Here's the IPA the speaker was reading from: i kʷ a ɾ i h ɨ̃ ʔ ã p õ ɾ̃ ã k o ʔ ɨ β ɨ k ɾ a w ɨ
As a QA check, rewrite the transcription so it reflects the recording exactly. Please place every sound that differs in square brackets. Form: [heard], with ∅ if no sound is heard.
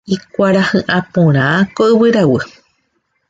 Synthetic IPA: i kʷ a ɾ [a] h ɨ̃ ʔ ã p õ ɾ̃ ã k o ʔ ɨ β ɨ [∅] ɾ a w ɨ